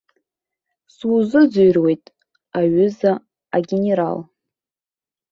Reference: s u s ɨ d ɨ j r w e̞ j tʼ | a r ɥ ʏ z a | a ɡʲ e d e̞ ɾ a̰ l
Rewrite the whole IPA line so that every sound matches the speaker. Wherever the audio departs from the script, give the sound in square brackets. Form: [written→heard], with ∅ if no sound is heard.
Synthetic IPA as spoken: s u [s→z] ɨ [d→d͡z] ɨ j r w e̞ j tʼ | a [r→∅] ɥ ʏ z a | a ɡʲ e [d→n] e̞ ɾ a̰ l